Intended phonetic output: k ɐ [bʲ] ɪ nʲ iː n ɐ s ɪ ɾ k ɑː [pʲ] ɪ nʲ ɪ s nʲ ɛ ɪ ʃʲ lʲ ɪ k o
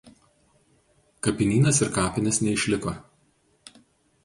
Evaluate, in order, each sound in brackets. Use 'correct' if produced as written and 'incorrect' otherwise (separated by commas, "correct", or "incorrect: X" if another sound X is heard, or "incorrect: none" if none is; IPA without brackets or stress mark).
incorrect: pʲ, correct